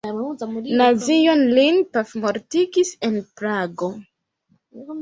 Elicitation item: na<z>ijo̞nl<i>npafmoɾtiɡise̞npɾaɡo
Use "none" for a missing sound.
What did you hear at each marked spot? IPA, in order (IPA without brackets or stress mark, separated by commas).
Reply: z, i